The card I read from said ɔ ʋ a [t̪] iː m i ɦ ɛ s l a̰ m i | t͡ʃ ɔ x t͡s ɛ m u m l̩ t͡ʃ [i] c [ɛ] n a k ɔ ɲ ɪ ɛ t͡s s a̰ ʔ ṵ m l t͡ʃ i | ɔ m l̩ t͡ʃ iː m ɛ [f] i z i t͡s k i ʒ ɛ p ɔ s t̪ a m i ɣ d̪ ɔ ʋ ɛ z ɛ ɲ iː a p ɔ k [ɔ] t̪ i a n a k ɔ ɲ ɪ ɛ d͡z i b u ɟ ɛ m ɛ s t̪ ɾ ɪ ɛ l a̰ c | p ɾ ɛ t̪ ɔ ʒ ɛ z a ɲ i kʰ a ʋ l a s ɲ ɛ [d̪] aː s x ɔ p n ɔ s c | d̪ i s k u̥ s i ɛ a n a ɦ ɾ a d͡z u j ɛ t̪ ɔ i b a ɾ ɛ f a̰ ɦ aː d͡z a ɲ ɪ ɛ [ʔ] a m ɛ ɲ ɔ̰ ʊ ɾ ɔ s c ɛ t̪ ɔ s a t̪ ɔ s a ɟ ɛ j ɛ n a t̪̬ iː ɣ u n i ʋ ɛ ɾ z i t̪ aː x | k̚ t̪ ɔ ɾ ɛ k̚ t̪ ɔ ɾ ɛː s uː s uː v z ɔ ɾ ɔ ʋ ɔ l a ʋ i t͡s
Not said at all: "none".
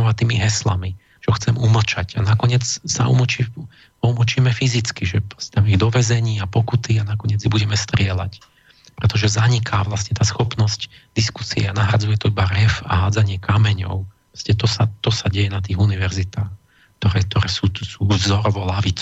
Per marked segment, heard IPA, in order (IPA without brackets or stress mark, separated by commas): t̪, a, a, f, u, t̪, k